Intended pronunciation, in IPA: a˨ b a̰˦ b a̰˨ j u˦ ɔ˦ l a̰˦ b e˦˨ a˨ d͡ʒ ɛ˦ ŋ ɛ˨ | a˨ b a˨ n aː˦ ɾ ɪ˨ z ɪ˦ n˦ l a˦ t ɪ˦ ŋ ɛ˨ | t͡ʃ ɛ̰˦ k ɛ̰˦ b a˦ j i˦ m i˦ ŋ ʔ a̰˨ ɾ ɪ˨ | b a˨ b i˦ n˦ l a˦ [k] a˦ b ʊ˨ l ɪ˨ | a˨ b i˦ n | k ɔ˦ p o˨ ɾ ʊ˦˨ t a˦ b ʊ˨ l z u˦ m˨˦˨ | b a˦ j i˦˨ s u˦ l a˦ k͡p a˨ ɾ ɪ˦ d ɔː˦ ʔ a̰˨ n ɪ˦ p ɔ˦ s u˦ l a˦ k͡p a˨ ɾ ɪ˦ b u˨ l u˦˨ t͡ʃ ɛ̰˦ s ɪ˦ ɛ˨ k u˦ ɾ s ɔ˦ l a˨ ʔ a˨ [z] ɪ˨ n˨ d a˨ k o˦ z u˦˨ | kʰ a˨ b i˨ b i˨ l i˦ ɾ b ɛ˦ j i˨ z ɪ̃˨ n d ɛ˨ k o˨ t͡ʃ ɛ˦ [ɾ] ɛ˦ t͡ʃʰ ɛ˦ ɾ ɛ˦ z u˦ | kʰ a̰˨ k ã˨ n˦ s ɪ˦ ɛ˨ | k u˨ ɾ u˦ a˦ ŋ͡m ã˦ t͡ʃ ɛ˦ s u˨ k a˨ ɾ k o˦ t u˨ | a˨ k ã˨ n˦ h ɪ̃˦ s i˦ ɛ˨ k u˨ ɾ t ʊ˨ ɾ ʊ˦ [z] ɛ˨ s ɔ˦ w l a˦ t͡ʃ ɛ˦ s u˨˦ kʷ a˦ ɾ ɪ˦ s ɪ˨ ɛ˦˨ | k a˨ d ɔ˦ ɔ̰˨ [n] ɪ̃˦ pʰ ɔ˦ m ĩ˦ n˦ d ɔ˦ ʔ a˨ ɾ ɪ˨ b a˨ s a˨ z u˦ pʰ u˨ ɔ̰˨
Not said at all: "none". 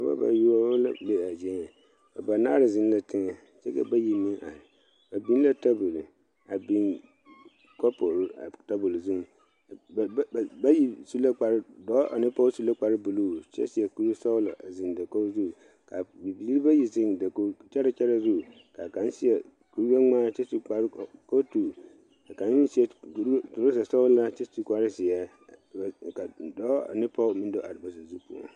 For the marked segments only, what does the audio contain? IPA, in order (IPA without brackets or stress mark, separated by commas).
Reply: t, z, ɾ, s, n